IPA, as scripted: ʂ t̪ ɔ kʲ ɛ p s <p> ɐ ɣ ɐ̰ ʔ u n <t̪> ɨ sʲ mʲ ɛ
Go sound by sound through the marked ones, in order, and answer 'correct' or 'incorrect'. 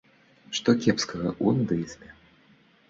incorrect: k, incorrect: d̪

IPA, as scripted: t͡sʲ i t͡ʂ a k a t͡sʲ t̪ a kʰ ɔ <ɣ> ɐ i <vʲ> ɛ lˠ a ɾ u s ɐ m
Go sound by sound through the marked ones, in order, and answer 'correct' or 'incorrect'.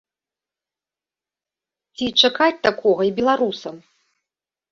correct, incorrect: bʲ

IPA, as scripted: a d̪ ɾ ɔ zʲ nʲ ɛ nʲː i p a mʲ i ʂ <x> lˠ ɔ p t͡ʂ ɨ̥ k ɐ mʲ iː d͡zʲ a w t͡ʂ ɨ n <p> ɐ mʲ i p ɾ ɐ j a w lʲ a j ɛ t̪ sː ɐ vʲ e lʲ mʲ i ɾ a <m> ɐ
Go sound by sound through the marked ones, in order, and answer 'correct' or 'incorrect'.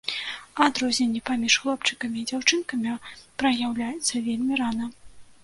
correct, incorrect: k, incorrect: n

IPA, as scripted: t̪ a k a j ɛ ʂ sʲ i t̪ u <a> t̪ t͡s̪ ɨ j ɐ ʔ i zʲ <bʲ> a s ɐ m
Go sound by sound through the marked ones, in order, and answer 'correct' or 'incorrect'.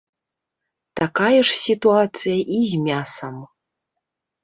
correct, incorrect: mʲ

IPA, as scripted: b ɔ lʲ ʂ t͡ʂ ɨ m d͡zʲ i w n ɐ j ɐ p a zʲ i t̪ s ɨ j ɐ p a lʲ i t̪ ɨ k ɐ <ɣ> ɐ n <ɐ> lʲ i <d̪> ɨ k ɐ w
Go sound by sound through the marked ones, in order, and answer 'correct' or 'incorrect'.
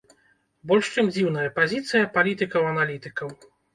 incorrect: w, incorrect: a, incorrect: t̪

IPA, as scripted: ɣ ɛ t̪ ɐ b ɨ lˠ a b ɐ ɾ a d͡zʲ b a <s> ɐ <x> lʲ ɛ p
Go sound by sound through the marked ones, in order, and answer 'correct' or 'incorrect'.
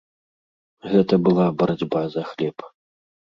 incorrect: z, correct

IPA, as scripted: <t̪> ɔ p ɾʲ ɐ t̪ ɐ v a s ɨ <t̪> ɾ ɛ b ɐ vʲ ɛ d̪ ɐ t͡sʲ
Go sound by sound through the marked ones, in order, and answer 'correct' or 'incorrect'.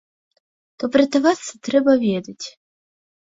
correct, correct

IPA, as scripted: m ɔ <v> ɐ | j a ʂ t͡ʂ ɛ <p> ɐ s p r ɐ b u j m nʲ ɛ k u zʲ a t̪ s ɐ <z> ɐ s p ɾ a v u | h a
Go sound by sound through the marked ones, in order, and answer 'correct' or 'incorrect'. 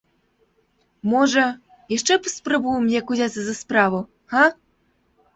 incorrect: ʐ, correct, correct

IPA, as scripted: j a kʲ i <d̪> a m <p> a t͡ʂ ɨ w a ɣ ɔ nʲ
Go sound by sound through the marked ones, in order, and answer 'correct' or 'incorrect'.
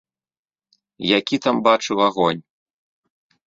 incorrect: t̪, incorrect: b

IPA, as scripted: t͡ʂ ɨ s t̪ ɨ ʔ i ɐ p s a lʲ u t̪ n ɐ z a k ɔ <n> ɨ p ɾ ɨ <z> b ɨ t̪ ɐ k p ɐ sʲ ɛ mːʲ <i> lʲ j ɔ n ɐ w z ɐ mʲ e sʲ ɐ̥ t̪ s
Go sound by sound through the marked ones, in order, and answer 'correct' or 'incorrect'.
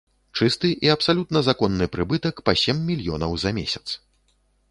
incorrect: nː, incorrect: none, correct

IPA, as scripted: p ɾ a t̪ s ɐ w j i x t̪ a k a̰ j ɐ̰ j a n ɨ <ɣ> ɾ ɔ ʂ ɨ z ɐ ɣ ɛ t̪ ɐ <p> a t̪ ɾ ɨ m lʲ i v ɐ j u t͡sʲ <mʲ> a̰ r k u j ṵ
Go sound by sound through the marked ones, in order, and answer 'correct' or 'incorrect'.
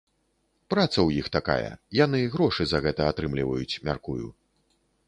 correct, incorrect: none, correct

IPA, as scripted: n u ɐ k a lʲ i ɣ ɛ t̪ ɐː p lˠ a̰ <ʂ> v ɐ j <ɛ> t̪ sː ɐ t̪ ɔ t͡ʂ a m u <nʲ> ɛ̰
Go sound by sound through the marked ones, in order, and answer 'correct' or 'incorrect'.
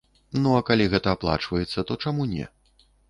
incorrect: t͡ʂ, correct, correct

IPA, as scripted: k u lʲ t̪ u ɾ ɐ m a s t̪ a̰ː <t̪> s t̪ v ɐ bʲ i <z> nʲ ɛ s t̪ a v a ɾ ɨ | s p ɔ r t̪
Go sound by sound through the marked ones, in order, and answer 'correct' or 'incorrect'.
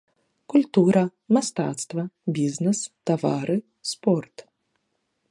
correct, correct

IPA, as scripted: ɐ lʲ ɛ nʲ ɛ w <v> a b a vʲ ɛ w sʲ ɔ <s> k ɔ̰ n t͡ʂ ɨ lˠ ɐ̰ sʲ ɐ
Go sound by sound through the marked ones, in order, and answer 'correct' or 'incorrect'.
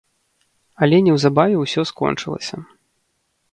incorrect: z, correct

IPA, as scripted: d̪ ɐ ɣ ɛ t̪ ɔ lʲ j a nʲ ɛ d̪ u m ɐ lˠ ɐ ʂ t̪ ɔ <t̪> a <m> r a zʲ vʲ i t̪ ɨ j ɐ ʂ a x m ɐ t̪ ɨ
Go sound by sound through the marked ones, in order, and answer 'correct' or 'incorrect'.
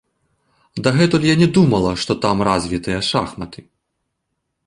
correct, correct

